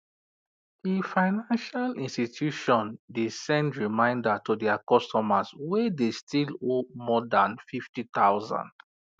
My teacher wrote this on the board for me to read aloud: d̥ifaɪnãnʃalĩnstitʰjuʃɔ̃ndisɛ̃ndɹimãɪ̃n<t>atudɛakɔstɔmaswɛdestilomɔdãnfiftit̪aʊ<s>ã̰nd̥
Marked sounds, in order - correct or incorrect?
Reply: incorrect: d, incorrect: z

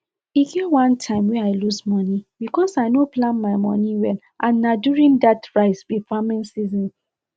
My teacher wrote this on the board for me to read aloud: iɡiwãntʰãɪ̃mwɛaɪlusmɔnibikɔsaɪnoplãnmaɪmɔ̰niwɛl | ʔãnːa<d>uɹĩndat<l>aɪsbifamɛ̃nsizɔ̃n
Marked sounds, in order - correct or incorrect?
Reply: correct, incorrect: ɹ

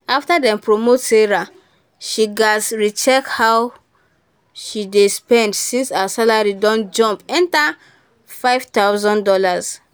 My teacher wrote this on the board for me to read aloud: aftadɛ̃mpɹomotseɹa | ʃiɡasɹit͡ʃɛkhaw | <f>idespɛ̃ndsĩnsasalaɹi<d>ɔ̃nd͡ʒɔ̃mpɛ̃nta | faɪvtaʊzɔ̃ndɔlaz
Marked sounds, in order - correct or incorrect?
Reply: incorrect: ʃ, correct

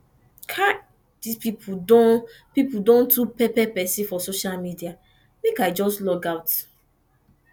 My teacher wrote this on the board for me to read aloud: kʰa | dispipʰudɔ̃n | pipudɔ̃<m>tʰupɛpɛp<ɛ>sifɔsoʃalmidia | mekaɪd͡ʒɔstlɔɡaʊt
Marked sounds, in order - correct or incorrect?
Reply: incorrect: n, correct

